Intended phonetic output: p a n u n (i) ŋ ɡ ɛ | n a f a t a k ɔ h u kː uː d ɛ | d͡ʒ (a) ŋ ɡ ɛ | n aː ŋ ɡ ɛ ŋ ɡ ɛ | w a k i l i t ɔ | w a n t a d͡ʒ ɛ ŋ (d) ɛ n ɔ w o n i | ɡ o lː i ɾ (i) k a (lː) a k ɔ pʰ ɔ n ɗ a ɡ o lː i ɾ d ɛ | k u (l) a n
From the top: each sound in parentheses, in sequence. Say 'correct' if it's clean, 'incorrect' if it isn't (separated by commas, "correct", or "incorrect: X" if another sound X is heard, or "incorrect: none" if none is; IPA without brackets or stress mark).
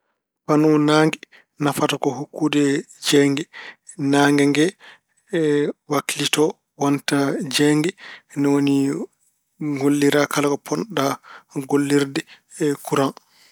incorrect: a, incorrect: ɛ, incorrect: ɡ, incorrect: a, incorrect: l, incorrect: ɾ